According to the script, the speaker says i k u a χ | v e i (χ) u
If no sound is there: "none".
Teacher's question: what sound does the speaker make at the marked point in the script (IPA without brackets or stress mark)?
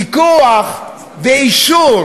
ʃ